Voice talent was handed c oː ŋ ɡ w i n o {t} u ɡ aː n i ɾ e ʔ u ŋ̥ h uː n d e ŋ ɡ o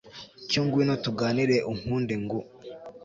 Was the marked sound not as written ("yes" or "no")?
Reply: no